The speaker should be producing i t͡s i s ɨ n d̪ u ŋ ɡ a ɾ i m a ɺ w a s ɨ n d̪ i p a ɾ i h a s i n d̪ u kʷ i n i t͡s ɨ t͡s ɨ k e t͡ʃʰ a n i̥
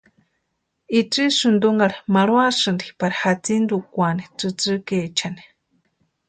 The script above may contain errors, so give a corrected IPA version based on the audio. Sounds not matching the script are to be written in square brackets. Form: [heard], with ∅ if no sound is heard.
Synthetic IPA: i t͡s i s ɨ n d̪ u ŋ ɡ a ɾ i m a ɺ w a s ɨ n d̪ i p a ɾ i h a [t͡s] i n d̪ u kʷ [a] n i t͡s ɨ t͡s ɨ k e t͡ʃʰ a n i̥